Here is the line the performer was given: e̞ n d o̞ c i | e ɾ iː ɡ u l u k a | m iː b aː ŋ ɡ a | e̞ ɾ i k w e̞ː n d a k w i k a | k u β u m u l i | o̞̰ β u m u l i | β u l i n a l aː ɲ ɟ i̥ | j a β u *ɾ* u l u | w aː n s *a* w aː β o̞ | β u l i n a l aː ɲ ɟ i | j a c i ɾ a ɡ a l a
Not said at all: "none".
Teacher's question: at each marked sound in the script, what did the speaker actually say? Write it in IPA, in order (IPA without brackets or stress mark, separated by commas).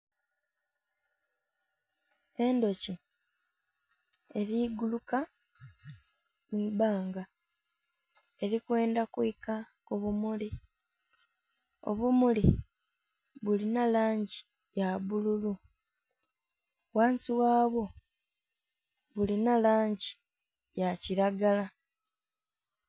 l, i